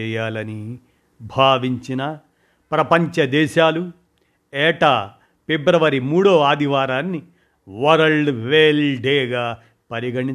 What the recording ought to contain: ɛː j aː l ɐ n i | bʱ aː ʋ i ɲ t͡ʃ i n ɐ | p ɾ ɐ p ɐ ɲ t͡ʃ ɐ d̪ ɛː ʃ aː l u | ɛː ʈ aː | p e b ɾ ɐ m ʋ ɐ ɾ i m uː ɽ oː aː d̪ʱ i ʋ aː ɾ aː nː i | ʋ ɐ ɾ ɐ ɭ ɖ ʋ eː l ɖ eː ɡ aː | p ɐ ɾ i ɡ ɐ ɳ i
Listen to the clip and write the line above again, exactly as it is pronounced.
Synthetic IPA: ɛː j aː l ɐ n i | bʱ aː ʋ i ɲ t͡ʃ i n ɐ | p ɾ ɐ p ɐ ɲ t͡ʃ ɐ d̪ ɛː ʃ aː l u | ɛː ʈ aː | p e b ɾ ɐ ʋ ɐ ɾ i m uː ɽ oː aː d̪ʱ i ʋ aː ɾ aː nː i | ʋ ɐ ɾ ɐ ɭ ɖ ʋ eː l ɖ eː ɡ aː | p ɐ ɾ i ɡ ɐ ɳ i